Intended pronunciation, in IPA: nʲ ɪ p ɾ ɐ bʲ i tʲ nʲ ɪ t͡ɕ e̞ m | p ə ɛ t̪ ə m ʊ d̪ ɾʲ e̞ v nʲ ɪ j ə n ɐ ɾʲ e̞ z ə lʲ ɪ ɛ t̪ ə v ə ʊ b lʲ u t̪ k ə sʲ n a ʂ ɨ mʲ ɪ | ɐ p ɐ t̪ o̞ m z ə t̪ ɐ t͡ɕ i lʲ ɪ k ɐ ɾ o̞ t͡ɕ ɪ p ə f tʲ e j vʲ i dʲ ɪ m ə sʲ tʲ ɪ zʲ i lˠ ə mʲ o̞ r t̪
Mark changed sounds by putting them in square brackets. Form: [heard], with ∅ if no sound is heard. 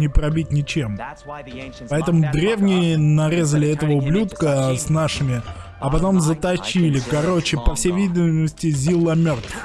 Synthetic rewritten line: nʲ ɪ p ɾ ɐ bʲ i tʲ nʲ ɪ t͡ɕ e̞ m | p [ɐ] ɛ t̪ ə m ʊ d̪ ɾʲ e̞ v nʲ ɪ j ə n ɐ ɾʲ e̞ z ə lʲ ɪ ɛ t̪ ə v ə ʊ b lʲ u t̪ k ə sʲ n a ʂ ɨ mʲ ɪ | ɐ p ɐ t̪ o̞ m z ə t̪ ɐ t͡ɕ i lʲ ɪ k ɐ ɾ o̞ t͡ɕ ɪ p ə f [sʲ] e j vʲ i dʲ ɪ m ə sʲ tʲ ɪ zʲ i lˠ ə mʲ o̞ r t̪